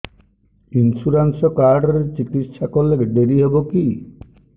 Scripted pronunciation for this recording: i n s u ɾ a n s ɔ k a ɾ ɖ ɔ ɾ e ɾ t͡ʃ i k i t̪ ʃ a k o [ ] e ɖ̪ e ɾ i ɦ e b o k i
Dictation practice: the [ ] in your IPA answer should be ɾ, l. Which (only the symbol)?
l